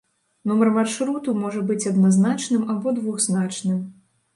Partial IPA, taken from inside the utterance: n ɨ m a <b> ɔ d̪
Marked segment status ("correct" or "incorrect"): correct